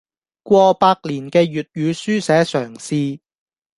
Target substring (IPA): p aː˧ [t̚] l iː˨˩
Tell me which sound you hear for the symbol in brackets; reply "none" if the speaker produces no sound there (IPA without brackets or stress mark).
k̚